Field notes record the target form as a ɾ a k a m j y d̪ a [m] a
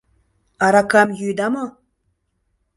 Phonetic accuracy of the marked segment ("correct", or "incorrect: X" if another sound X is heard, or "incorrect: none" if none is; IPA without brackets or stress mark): correct